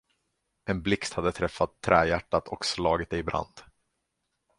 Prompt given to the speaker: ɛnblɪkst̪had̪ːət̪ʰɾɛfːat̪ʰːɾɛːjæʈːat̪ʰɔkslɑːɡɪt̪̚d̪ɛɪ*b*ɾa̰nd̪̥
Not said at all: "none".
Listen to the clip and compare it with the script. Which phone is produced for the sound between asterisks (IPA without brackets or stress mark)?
b